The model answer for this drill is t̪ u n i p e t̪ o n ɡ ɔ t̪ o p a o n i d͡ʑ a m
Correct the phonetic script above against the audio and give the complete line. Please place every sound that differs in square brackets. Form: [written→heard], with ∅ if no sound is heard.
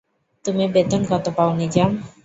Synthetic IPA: t̪ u [n→m] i [p→b] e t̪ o n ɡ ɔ t̪ o p a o n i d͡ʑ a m

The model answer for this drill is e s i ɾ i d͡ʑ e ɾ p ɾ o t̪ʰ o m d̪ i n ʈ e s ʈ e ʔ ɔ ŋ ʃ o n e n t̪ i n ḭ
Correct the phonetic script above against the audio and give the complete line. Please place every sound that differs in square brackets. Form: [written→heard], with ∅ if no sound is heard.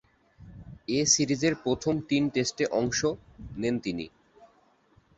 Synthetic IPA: e s i ɾ i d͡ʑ e ɾ p ɾ o t̪ʰ o m [d̪→t̪] i n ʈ e s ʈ e ʔ ɔ ŋ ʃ o n e n t̪ i n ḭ

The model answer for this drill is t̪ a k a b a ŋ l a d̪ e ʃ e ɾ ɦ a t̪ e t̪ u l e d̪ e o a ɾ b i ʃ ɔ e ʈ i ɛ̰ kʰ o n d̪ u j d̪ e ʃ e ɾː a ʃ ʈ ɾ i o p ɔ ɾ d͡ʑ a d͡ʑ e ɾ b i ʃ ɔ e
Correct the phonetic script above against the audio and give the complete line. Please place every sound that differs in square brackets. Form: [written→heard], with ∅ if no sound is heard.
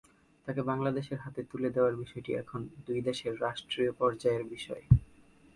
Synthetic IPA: t̪ a k [a→e] b a ŋ l a d̪ e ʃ e ɾ ɦ a t̪ e t̪ u l e d̪ e o a ɾ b i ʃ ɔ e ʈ i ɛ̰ kʰ o n d̪ u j d̪ e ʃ e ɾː a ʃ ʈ ɾ i o p ɔ ɾ d͡ʑ a [d͡ʑ→∅] e ɾ b i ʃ ɔ e

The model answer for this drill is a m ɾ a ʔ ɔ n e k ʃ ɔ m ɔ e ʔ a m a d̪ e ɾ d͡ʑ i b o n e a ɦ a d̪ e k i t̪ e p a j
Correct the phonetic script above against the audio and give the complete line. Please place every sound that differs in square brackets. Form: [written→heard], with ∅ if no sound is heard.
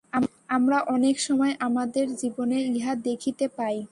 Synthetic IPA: a m ɾ a ʔ ɔ n e k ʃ ɔ m ɔ e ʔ a m a d̪ e ɾ d͡ʑ i b o n e [a→i] ɦ a d̪ e [k→kʰ] i t̪ e p a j

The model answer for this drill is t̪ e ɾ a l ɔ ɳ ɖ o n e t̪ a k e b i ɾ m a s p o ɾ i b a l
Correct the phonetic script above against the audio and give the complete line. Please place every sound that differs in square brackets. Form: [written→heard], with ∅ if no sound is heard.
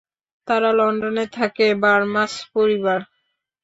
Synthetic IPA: t̪ [e→a] ɾ a l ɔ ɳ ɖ o n e [t̪→t̪ʰ] a k e b [i→a] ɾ m a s p o ɾ i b a [l→ɾ]

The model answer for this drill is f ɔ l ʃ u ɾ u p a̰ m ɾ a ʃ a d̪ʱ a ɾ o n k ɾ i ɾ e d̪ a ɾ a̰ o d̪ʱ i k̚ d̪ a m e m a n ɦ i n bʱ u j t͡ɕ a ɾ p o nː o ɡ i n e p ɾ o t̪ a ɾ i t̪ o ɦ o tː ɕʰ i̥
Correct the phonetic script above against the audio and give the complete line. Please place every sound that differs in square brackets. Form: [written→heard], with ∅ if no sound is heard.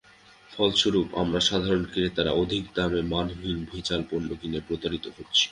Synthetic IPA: f ɔ l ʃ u ɾ u p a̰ m ɾ a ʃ a d̪ʱ a ɾ o n k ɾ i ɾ e [d̪→t̪] a ɾ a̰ o d̪ʱ i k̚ d̪ a m e m a n ɦ i n bʱ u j t͡ɕ a [ɾ→l] p o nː o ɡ i n e p ɾ o t̪ a ɾ i t̪ o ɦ o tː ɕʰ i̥

